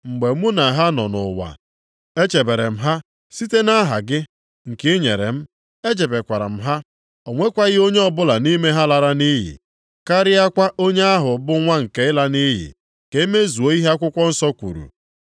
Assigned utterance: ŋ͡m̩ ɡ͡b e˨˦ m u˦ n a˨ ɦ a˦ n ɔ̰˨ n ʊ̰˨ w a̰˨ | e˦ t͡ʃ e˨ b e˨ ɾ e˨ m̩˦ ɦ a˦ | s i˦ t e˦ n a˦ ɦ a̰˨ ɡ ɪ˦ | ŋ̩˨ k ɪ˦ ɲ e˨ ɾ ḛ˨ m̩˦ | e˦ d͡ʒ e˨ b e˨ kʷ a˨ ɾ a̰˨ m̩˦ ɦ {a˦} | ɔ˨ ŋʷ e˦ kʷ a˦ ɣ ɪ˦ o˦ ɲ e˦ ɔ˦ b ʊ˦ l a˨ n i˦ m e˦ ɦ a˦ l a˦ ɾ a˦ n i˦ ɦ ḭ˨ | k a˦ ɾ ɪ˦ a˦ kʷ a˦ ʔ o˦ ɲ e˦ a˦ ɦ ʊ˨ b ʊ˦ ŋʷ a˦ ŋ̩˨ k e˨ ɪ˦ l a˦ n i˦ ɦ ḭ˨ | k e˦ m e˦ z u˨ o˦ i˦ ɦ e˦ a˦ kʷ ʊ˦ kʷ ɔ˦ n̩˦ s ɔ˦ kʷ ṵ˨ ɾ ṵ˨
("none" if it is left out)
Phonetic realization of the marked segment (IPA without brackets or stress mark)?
a˦